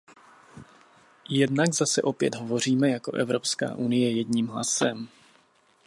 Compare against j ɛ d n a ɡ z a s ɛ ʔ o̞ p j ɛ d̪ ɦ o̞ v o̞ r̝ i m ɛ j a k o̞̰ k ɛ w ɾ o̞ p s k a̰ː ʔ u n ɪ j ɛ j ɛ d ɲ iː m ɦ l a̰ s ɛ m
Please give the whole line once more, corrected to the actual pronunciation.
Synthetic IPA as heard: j ɛ d n a ɡ z a s ɛ ʔ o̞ p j ɛ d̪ ɦ o̞ v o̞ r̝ iː m ɛ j a k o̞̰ ʔ ɛ v ɾ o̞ p s k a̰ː ʔ u n ɪ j ɛ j ɛ d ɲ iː m ɦ l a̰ s ɛ m